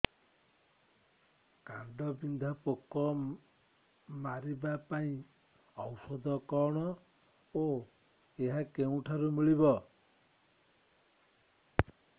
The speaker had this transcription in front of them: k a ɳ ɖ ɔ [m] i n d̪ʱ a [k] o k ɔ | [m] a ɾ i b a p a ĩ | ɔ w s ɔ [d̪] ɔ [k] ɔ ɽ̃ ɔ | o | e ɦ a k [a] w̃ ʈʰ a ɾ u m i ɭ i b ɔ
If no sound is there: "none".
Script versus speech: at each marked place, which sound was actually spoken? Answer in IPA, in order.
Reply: b, p, m, d̪, k, e

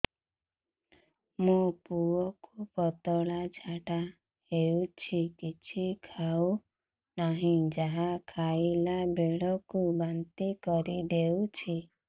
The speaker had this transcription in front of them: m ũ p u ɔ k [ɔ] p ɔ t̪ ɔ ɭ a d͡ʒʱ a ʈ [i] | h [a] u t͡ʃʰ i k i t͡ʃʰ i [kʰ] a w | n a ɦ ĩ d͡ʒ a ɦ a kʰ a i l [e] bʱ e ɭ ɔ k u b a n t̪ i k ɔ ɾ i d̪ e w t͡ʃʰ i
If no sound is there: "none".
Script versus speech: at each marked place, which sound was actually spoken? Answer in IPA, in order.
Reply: u, a, e, kʰ, a

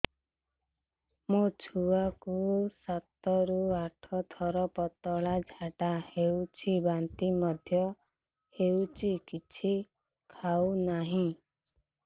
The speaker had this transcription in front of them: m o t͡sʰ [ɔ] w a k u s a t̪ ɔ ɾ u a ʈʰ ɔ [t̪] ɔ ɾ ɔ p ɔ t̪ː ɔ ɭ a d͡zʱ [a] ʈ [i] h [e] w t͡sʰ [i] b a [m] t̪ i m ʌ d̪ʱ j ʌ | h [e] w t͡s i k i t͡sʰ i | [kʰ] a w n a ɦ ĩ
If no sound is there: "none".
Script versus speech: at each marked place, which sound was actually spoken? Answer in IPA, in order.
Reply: u, t̪ʰ, a, a, e, i, n, e, kʰ

